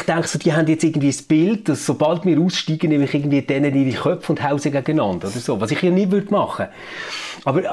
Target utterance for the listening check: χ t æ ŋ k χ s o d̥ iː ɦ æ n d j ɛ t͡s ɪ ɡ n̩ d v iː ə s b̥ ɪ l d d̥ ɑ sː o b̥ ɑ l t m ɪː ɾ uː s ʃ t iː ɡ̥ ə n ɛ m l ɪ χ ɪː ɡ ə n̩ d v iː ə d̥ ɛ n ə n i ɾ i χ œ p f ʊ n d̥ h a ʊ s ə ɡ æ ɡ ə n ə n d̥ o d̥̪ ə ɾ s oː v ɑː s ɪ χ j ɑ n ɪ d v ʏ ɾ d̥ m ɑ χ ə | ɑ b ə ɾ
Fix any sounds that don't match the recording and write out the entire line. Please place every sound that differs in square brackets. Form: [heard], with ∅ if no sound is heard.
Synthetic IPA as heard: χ t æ ŋ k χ s o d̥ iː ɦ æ n d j ɛ t͡s ɪ ɡ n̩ d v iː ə s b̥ ɪ l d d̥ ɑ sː o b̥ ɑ l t m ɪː ɾ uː s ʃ t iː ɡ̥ ə n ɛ m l ɪ χ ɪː ɡ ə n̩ d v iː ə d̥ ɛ n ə n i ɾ i χ œ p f ʊ n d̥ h a ʊ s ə ɡ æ ɡ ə n [ɑ] n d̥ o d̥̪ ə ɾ s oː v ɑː s ɪ χ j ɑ n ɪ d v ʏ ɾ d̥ m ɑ χ ə | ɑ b ə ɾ